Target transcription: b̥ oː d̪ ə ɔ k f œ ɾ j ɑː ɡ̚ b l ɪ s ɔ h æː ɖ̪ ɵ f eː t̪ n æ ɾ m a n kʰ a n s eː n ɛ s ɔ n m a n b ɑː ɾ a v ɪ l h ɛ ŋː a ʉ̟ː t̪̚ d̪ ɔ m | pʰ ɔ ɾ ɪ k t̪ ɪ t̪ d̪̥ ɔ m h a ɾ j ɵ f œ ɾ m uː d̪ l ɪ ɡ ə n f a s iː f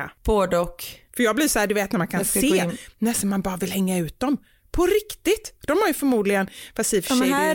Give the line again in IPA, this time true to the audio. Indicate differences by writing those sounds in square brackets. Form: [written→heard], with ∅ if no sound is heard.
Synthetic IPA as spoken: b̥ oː d̪ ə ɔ k f œ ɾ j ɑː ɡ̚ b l ɪ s ɔ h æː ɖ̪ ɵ [f→v] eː t̪ n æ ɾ m a n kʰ a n s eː n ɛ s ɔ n m a n b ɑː ɾ a v ɪ l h ɛ ŋː a ʉ̟ː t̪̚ d̪ ɔ m | pʰ ɔ ɾ ɪ k t̪ ɪ t̪ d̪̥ ɔ m h a ɾ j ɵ f œ ɾ m uː d̪ l ɪ ɡ ə n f a s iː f